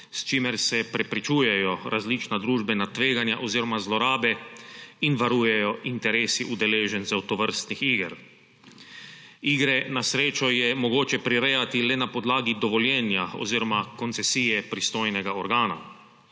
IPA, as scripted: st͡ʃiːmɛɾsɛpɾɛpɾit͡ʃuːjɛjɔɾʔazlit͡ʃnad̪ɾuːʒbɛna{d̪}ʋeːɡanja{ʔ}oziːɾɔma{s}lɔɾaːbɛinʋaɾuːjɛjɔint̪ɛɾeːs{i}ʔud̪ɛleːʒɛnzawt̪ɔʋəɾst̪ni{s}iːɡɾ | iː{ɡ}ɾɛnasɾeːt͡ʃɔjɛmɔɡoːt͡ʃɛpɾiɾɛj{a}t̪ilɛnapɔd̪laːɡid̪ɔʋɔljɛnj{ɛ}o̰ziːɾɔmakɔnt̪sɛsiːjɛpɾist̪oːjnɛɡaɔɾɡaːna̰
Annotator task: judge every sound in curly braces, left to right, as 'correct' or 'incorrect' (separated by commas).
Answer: incorrect, correct, incorrect, correct, incorrect, correct, correct, incorrect